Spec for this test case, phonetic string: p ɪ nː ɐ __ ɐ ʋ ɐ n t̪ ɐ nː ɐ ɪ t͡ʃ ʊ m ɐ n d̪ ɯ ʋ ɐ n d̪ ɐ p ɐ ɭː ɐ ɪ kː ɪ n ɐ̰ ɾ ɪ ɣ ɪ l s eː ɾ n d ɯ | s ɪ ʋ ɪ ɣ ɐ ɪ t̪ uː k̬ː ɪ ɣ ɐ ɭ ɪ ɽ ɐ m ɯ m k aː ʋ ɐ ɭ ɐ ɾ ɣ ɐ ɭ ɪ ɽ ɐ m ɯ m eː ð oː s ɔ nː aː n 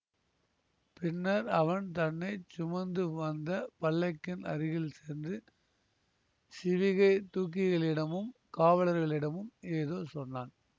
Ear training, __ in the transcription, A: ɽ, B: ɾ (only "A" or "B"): B